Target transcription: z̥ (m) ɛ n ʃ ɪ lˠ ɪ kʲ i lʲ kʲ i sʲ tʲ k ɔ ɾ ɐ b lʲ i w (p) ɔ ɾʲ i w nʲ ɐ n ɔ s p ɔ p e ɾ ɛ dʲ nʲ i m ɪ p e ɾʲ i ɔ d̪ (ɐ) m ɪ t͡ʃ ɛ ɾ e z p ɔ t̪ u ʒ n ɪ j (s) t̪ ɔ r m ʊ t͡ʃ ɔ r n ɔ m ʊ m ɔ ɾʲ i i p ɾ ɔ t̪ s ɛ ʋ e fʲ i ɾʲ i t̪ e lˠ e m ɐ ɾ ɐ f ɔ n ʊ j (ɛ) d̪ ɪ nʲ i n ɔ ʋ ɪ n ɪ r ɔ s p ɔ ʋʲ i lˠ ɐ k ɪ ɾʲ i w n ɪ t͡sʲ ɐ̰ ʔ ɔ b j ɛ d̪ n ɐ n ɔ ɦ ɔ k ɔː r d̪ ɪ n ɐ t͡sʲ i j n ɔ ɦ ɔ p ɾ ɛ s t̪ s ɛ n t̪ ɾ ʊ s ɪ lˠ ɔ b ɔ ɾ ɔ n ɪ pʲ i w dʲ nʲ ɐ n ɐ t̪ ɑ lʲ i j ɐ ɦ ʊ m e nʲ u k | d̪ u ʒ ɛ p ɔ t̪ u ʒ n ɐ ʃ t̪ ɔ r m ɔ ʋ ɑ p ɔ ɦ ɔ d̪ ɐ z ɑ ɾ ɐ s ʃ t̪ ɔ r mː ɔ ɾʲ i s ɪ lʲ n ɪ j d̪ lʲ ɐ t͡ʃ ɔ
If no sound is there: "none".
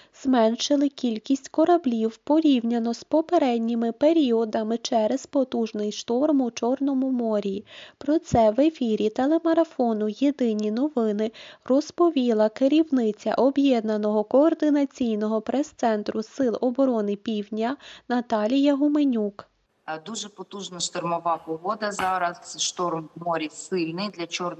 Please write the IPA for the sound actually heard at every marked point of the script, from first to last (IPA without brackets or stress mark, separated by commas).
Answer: m, p, ɐ, ʃ, e